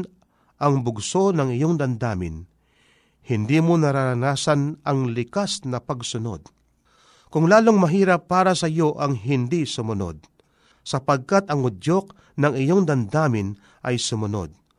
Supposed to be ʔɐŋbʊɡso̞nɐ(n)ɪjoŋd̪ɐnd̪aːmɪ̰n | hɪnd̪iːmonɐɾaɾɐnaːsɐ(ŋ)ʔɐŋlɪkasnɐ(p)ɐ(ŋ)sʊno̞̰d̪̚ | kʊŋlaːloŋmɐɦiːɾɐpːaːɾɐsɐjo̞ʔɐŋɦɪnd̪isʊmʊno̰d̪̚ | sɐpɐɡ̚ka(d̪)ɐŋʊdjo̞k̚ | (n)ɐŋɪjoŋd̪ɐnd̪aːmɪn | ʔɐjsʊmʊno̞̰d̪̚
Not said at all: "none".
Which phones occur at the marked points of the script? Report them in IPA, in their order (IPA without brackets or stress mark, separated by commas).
ŋ, n, p, ɡ, t̪, n